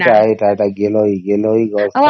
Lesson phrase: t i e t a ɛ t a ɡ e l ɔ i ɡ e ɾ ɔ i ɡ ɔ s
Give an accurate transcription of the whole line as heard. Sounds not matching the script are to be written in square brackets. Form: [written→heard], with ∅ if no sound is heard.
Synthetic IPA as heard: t [i→a] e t a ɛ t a ɡ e l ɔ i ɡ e [ɾ→l] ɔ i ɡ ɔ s